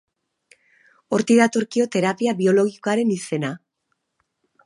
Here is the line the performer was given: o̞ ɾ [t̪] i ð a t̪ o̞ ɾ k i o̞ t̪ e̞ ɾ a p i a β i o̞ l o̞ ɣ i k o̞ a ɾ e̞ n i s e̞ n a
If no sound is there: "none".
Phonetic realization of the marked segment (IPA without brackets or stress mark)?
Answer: t̪